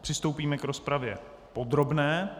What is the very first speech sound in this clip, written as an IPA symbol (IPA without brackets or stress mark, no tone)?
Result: p